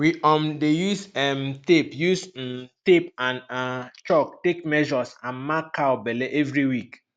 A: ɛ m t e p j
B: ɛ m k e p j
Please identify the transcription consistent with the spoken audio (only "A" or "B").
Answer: A